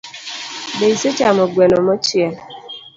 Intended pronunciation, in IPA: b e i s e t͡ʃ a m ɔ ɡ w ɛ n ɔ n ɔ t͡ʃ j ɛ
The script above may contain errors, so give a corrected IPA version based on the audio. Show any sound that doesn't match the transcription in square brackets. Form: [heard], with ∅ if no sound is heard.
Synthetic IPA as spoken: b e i s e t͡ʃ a m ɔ ɡ w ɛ n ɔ [m] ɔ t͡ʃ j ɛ